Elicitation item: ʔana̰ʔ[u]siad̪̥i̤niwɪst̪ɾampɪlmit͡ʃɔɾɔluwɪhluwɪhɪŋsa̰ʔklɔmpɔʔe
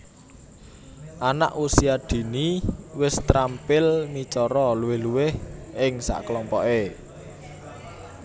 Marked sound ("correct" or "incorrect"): correct